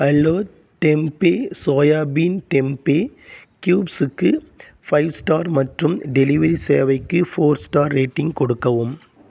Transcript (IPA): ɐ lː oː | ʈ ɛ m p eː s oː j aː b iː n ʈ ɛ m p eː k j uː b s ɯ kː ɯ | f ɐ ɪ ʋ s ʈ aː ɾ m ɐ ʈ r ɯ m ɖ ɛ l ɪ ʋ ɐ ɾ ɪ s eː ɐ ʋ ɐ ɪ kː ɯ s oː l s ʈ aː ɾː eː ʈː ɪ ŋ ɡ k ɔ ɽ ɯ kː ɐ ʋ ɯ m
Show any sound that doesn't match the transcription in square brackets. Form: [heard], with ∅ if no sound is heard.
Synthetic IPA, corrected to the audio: ɐ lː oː | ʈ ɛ m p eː s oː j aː b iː n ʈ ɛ m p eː k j uː b s ɯ kː ɯ | f ɐ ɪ ʋ s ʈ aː ɾ m ɐ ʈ r ɯ m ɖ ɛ l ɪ ʋ ɐ ɾ [i] s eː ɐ ʋ ɐ ɪ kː ɯ [f] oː [ɾ] s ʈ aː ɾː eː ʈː ɪ ŋ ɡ k ɔ ɽ ɯ kː ɐ ʋ ɯ m